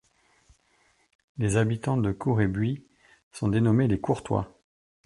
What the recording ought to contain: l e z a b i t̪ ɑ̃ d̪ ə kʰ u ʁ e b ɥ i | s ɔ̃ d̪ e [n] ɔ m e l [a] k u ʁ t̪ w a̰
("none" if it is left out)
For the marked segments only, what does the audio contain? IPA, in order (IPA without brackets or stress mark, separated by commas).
n, e